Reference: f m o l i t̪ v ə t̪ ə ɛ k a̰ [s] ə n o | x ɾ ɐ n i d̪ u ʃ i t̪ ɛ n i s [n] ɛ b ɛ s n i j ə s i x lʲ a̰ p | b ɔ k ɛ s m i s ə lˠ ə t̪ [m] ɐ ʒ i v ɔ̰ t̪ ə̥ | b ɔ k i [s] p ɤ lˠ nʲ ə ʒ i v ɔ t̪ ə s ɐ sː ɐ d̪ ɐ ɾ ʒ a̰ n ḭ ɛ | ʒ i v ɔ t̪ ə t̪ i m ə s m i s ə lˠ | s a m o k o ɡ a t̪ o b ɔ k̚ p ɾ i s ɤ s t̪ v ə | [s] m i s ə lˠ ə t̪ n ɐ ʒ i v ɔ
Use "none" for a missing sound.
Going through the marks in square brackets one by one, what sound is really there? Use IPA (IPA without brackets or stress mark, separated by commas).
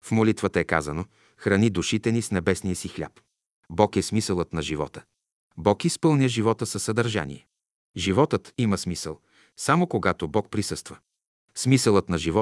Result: z, n, n, s, s